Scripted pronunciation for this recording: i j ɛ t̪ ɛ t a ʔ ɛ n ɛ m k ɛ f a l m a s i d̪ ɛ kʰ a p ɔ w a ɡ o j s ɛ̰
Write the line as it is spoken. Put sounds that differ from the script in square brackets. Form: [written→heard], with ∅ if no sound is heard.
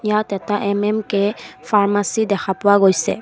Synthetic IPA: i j [ɛ→a] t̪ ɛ t a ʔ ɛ [n→m] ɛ m k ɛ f a [l→ɹ] m a s i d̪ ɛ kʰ a p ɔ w a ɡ o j s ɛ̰